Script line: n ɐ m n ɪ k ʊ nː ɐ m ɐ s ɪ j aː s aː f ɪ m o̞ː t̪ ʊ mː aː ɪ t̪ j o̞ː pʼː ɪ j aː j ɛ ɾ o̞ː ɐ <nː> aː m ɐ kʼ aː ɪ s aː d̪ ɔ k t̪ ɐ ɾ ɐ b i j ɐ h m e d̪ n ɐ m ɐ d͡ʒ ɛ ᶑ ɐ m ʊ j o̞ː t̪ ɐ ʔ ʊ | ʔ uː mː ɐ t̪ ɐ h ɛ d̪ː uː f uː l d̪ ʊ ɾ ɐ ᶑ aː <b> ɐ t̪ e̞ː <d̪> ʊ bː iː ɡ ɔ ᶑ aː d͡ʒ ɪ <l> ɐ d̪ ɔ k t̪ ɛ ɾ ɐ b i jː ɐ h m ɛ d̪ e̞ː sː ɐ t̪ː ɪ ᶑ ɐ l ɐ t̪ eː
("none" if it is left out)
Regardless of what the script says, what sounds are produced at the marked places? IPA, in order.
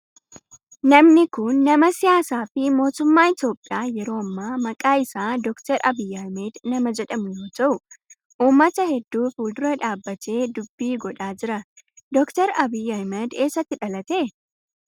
mː, bː, d̪, ɾ

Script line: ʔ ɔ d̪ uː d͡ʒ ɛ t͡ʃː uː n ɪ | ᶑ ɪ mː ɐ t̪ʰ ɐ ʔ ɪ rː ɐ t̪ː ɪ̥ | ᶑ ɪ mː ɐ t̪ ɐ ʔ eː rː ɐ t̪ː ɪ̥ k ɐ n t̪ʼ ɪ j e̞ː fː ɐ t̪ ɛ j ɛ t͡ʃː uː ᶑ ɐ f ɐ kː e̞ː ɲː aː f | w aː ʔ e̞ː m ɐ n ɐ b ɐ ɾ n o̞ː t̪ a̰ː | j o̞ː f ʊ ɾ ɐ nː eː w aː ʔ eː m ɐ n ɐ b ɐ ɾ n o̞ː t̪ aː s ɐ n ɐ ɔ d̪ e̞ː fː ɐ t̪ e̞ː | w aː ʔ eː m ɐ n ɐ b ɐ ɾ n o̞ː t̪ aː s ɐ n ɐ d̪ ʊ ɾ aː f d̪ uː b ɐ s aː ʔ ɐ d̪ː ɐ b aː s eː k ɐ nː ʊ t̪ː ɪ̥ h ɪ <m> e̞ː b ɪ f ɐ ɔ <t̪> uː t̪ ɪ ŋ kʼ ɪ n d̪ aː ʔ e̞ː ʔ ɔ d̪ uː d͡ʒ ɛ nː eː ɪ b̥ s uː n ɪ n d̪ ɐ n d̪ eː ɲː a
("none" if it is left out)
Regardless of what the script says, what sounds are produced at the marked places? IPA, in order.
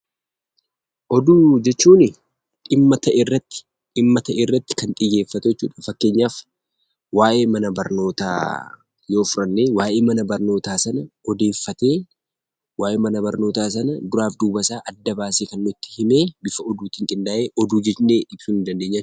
m, d̪

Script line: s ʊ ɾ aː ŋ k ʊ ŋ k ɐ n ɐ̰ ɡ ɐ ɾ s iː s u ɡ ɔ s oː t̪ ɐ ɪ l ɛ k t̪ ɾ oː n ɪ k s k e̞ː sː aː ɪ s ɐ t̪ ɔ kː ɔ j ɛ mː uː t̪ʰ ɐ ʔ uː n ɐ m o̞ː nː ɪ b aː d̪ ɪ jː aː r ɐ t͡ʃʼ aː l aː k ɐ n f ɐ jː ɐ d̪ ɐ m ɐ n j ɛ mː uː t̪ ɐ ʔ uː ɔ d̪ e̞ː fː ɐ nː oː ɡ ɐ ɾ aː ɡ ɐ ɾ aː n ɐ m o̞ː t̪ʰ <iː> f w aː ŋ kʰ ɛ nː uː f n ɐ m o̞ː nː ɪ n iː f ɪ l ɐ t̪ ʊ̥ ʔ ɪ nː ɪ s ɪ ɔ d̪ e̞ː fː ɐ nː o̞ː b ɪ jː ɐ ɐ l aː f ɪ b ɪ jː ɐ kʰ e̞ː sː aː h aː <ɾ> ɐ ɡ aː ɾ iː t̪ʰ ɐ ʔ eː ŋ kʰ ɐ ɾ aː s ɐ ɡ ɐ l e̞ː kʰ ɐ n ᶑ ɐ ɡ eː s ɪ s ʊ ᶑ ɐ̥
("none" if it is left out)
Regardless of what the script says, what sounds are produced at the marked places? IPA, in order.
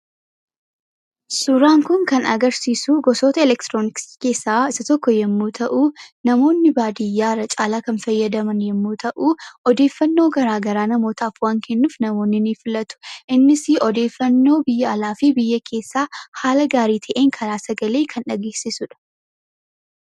aː, l

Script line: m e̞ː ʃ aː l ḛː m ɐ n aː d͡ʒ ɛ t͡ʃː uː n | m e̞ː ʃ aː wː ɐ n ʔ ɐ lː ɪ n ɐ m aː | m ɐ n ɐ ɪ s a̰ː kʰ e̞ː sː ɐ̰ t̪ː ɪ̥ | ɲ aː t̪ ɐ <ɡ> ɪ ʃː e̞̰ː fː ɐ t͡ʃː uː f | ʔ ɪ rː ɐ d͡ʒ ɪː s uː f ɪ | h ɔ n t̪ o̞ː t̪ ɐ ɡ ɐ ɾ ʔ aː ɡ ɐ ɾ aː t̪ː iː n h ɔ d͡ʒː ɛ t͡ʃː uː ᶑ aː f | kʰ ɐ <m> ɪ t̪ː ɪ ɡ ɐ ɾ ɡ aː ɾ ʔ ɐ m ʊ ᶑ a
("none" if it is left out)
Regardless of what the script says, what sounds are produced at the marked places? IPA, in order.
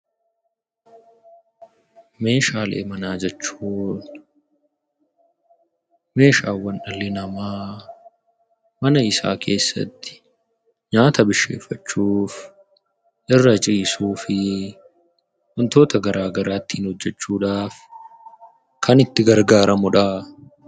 b, n

